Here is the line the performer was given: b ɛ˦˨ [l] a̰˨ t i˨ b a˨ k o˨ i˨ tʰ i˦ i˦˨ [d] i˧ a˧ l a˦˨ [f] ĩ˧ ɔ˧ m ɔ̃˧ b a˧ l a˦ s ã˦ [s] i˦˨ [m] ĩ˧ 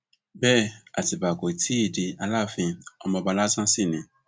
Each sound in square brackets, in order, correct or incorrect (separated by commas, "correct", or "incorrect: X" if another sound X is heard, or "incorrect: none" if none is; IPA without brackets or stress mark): incorrect: none, correct, correct, correct, incorrect: n